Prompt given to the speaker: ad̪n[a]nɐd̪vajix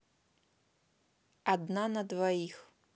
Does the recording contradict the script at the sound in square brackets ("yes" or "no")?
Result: no